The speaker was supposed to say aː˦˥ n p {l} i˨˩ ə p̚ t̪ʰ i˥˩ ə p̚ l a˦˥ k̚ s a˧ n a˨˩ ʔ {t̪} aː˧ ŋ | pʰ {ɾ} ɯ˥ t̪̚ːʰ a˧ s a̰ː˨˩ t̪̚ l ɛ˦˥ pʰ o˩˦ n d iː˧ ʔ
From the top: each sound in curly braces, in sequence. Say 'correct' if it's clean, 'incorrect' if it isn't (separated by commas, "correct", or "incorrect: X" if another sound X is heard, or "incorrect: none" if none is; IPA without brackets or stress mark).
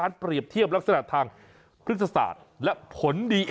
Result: incorrect: ɾ, incorrect: t̪ʰ, correct